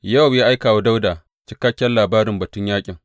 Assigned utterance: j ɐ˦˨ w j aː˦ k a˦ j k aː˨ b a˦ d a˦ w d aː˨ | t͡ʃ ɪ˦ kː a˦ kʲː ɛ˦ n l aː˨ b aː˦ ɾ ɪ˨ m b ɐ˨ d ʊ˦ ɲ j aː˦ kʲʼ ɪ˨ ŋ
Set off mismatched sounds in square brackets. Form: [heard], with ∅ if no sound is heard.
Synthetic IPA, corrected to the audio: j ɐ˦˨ w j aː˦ [ʔ] a˦ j k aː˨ [w] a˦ d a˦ w d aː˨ | t͡ʃ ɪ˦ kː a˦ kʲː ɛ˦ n l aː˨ b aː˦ ɾ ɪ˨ m b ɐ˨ [t] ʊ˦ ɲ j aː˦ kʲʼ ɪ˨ ŋ

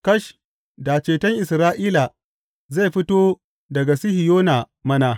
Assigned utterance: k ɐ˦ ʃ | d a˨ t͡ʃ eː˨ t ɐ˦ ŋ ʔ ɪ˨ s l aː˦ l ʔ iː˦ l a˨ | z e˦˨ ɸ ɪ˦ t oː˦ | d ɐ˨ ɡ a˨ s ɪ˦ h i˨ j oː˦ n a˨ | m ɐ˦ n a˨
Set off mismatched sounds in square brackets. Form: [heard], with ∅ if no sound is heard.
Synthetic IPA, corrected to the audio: k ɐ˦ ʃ | d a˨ t͡ʃ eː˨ t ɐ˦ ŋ ʔ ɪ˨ s [ɾ] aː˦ [∅] ʔ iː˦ l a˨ | z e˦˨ ɸ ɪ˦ t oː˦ | d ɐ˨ ɡ a˨ s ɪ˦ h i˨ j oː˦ n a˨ | m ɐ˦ n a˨

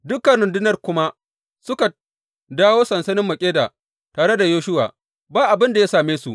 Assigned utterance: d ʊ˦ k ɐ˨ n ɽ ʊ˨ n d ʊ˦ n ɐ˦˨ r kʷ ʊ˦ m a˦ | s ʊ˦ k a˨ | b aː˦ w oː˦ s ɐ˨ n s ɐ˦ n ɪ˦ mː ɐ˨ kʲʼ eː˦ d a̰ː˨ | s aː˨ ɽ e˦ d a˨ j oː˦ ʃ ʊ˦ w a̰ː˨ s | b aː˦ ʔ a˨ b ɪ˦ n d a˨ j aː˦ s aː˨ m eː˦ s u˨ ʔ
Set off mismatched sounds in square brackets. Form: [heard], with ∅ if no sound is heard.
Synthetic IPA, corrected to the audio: d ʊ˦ k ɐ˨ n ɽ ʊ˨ n d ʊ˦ n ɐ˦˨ r kʷ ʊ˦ m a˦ | s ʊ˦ k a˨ | [d] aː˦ w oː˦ s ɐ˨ n s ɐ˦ n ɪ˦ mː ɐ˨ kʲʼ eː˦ d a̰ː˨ | [t] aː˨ ɽ e˦ d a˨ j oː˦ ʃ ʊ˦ w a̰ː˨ [∅] | b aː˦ ʔ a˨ b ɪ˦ n d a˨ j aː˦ s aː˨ m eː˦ s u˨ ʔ

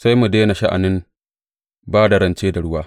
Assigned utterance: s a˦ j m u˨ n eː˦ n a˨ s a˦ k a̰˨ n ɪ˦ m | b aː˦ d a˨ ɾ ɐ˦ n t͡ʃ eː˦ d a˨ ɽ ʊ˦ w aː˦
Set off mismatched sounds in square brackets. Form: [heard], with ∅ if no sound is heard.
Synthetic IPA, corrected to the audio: s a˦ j m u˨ [d] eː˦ n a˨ [ʃ] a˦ [ʔ] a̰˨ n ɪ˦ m | b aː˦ d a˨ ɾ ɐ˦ n t͡ʃ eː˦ d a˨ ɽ ʊ˦ w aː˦

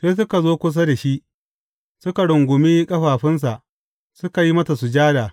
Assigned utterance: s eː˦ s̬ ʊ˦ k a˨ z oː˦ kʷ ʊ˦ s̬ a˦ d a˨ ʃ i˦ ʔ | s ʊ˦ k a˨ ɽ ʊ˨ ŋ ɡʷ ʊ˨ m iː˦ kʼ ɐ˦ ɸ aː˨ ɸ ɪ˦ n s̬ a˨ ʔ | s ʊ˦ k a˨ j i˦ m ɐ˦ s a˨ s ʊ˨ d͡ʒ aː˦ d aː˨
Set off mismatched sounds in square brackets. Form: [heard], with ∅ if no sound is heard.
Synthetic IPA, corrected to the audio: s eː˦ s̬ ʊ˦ k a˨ z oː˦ kʷ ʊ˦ s̬ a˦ d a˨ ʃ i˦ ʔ | s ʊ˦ k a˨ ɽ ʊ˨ ŋ ɡʷ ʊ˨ m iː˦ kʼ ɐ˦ ɸ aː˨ ɸ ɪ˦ n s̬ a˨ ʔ | s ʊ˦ k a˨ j i˦ m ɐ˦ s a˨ s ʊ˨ d͡ʒ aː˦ d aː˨

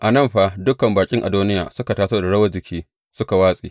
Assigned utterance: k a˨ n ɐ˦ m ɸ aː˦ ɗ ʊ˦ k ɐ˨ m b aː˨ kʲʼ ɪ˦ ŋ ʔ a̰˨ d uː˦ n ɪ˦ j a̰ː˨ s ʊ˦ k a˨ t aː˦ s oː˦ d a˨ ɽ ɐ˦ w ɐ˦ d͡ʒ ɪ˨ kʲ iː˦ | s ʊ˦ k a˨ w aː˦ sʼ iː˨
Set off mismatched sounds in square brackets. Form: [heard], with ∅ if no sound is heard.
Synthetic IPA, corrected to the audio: [ʔ] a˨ n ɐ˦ m ɸ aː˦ [d] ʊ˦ k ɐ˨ m b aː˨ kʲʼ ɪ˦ ŋ ʔ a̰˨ d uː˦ n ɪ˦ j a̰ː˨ s ʊ˦ k a˨ t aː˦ s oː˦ d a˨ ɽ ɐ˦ w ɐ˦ d͡ʒ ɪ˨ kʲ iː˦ | s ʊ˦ k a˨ w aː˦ sʼ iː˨

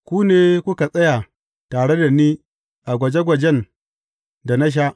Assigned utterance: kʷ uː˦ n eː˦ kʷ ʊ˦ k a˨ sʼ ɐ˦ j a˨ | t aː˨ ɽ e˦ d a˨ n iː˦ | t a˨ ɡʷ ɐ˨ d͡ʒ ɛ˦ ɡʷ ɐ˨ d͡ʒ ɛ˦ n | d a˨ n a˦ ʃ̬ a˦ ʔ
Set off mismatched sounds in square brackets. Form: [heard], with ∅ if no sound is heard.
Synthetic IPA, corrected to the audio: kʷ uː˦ n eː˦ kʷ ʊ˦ k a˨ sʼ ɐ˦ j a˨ | t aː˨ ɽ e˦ d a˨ n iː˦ | [ʔ] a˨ ɡʷ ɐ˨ d͡ʒ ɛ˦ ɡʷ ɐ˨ d͡ʒ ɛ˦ n | d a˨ n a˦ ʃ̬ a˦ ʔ

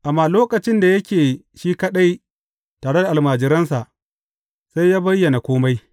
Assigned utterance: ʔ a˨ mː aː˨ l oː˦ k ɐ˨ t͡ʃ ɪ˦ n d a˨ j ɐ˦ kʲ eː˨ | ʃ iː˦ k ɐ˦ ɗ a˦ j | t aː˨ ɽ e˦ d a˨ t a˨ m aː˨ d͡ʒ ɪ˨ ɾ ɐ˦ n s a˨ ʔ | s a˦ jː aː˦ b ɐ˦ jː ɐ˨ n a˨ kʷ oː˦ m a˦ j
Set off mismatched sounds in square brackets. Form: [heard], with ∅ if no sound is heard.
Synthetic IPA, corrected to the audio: ʔ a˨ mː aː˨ l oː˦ k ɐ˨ t͡ʃ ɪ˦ n d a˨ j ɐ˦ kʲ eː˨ | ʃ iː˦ k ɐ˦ ɗ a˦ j | t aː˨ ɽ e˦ d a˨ [ʔ] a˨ m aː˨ d͡ʒ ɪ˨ ɾ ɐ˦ n s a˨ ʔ | s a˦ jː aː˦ b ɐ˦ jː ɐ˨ n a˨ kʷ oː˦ m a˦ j

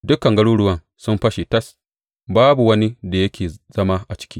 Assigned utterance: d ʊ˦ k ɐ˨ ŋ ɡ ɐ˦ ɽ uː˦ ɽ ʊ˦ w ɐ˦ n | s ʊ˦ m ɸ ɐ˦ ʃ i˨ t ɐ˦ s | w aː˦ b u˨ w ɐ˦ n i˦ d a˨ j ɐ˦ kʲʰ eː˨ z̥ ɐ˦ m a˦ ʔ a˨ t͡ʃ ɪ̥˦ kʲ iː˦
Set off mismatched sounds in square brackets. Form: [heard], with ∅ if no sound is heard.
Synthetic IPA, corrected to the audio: d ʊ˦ k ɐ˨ ŋ ɡ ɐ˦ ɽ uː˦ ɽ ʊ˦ w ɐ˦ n | s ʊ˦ m ɸ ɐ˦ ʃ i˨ t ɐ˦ s | [b] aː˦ b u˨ w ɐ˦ n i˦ d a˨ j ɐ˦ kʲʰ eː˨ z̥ ɐ˦ m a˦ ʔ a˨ t͡ʃ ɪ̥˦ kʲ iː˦

